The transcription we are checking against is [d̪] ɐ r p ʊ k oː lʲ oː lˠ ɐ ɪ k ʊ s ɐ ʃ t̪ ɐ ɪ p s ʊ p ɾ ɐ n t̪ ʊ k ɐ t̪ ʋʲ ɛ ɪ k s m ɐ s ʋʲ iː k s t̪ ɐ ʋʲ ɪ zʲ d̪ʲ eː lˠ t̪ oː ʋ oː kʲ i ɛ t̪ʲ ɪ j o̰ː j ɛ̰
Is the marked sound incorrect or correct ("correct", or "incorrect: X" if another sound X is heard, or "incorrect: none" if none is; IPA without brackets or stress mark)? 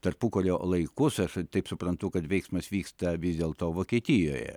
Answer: incorrect: t̪